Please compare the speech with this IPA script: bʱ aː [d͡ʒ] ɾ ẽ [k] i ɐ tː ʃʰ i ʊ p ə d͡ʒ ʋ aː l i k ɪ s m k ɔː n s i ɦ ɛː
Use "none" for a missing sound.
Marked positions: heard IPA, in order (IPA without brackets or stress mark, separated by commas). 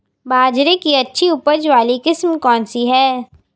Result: d͡ʒ, k